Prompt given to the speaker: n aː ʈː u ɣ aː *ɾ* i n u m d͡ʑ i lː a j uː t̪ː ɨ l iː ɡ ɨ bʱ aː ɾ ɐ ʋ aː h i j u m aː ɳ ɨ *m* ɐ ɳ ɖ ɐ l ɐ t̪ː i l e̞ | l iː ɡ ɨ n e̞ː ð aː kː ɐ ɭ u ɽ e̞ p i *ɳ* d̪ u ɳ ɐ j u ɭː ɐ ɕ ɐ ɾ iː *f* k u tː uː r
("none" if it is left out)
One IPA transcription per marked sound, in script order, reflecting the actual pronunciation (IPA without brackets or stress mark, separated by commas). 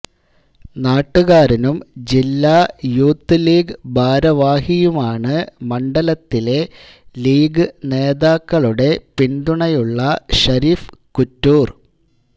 ɾ, m, n, f